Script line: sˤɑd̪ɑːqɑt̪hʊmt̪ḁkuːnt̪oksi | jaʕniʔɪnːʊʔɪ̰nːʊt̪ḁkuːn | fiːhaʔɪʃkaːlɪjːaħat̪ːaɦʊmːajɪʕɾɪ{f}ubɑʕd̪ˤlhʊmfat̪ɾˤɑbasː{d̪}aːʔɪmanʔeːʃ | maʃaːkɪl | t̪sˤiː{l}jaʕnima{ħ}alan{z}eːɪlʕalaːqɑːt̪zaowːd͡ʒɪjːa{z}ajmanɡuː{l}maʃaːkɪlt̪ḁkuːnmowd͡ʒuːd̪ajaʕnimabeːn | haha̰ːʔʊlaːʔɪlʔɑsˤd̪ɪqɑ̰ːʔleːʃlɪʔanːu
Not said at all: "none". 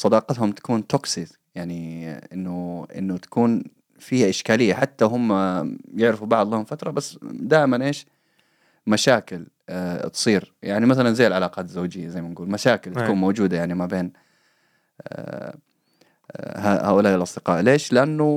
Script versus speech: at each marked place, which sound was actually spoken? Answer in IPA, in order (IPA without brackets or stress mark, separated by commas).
f, d̪, ɾ, θ, z, z, l